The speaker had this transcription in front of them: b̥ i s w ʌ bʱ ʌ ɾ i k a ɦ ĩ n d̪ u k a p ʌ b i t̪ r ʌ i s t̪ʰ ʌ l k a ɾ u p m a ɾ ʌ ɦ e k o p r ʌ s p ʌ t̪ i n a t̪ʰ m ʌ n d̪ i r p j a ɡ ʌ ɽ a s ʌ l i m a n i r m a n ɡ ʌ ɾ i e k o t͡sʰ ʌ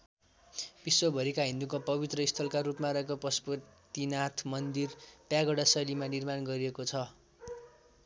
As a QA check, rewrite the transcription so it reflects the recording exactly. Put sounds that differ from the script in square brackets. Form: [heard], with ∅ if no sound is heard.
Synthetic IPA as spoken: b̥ i s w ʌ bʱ ʌ ɾ i k a ɦ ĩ n d̪ u k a p ʌ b i t̪ r ʌ i s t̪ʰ ʌ l k a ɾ u p m a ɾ ʌ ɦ e k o p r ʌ s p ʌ t̪ i n a t̪ʰ m ʌ n d̪ i r p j a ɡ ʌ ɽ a s ʌ l i m a n i r m a n ɡ ʌ ɾ i e k o t͡sʰ ʌ

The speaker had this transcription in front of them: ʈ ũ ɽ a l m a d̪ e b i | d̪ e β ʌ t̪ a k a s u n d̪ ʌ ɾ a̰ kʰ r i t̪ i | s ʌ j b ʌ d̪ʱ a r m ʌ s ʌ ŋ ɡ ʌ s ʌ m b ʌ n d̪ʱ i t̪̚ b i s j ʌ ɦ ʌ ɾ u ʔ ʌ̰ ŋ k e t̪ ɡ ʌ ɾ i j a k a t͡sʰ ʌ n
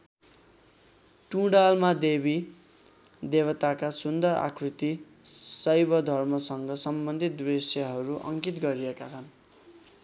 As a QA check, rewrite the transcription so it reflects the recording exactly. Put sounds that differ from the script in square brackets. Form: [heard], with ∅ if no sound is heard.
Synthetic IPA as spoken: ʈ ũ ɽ a l m a d̪ e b i | d̪ e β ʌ t̪ a k a s u n d̪ ʌ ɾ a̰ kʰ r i t̪ i | s ʌ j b ʌ d̪ʱ [ʌ] r m ʌ s ʌ ŋ ɡ ʌ s ʌ m b ʌ n d̪ʱ i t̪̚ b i s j ʌ ɦ ʌ ɾ u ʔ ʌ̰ ŋ k [i] t̪ ɡ ʌ ɾ i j [e] k a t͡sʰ ʌ n

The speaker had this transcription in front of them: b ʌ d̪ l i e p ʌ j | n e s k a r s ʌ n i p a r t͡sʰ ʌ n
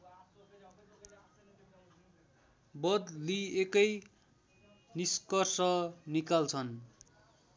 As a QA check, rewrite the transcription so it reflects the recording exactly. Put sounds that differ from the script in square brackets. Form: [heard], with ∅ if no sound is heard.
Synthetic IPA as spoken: b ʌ d̪ l i e [k] ʌ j | n [i] s k [ʌ] r s ʌ n i [k] a [l] t͡sʰ ʌ n

